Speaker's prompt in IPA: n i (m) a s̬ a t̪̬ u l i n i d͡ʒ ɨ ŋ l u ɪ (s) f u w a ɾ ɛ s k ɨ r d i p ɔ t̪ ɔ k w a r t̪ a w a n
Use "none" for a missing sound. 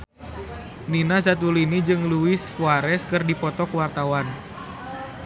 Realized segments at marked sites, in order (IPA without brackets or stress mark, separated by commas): n, s